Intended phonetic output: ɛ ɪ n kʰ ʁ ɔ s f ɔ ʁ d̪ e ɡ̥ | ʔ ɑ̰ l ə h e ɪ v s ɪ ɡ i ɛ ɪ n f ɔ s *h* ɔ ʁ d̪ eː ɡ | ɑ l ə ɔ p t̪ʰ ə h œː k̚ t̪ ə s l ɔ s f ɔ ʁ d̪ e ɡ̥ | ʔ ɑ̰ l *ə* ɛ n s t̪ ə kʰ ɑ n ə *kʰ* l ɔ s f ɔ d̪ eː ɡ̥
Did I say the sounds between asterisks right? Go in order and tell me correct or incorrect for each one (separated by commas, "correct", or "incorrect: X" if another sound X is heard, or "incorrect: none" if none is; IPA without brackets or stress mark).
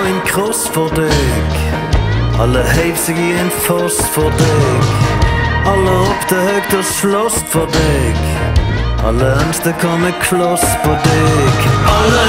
incorrect: f, correct, correct